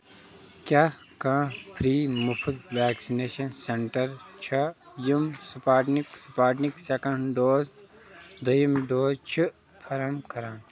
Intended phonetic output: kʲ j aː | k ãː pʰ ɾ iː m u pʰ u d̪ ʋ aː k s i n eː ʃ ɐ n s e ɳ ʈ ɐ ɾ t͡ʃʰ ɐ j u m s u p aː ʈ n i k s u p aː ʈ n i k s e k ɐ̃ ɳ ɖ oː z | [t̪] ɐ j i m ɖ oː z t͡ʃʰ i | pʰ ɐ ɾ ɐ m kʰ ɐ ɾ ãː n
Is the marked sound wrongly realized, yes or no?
yes